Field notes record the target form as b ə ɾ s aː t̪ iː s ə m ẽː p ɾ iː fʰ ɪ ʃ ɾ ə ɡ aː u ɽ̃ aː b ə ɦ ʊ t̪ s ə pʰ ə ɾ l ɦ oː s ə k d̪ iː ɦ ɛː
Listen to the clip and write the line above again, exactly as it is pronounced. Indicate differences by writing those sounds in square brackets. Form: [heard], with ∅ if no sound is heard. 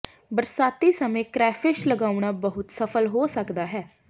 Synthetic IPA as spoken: b ə ɾ s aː t̪ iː s ə m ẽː [k] ɾ [ɛː] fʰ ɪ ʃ [l] ə ɡ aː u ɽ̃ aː b ə ɦ ʊ t̪ s ə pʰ ə [∅] l ɦ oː s ə k d̪ [aː] ɦ ɛː